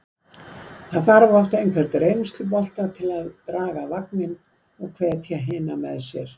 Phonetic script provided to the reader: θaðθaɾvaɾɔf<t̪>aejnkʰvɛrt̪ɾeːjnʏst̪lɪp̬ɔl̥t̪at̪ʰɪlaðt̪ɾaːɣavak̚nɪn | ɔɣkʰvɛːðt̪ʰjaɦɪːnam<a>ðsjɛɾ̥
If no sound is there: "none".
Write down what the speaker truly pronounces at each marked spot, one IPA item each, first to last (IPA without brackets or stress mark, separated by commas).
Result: t̪, ɛ